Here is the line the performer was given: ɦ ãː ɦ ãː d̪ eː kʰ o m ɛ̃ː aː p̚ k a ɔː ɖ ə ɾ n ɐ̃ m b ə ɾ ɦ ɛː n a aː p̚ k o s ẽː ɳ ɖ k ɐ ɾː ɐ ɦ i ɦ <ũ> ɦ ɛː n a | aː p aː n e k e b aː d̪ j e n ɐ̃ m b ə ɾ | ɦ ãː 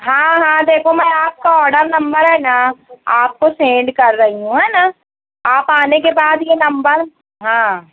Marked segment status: correct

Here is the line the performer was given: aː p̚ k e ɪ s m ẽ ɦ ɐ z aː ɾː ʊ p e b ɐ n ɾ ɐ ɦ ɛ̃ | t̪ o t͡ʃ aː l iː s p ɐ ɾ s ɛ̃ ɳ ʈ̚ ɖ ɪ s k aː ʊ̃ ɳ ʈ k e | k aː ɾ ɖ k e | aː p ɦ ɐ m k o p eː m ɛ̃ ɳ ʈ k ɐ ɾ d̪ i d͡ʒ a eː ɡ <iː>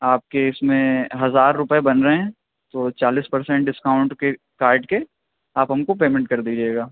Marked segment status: incorrect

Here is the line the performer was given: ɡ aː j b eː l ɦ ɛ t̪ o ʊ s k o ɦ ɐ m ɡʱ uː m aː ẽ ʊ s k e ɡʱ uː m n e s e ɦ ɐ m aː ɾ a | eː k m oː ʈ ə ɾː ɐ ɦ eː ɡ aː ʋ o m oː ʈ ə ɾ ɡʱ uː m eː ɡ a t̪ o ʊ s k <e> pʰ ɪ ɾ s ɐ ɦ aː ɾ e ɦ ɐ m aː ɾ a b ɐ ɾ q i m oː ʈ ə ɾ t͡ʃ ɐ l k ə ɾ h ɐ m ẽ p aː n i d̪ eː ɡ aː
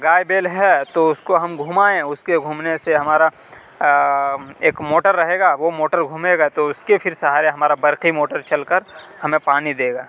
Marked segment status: correct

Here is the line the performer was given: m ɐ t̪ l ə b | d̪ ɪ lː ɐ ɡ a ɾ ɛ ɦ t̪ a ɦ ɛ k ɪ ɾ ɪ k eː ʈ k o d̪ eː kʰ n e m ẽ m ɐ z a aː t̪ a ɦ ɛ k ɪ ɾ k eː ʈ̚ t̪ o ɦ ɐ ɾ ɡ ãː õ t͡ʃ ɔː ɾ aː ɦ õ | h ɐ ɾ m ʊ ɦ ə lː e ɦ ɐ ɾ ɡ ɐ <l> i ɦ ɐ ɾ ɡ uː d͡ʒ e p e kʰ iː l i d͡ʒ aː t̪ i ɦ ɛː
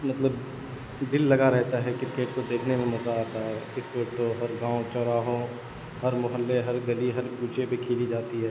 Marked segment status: correct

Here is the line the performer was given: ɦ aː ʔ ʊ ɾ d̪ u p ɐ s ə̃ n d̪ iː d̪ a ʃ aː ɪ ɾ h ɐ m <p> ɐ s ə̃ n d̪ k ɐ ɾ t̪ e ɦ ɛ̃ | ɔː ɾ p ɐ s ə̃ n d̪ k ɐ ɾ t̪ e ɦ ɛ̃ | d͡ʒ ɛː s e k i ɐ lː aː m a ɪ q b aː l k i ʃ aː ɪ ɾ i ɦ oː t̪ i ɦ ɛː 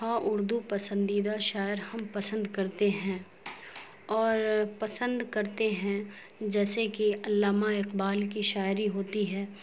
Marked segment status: correct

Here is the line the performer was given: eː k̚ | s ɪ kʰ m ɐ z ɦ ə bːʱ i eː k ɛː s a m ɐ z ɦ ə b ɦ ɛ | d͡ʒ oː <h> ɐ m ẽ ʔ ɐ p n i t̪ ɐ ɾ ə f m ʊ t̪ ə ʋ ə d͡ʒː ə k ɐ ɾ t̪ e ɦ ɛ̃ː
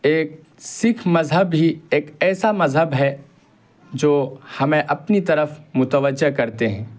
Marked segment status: correct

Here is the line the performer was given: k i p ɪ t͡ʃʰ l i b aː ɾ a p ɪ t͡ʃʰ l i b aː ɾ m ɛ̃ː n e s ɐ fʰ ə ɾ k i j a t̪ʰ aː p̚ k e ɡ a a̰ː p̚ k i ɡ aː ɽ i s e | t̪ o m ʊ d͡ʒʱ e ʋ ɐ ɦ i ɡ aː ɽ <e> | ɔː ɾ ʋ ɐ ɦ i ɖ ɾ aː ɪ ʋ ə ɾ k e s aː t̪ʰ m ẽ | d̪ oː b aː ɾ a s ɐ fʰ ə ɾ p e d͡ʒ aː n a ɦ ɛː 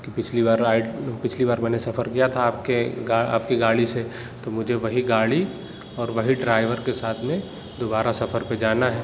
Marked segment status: incorrect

